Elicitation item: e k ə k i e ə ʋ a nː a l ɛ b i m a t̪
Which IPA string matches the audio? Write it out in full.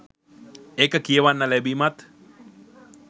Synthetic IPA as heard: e k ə k i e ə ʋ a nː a l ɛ b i m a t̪